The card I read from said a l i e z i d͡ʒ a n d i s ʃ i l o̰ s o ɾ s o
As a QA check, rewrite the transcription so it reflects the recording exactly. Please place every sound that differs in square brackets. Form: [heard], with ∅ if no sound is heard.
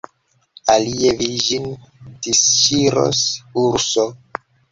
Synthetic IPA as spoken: a l i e [v] i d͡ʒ [i] n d i s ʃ i [ɾ] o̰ s [u] ɾ s o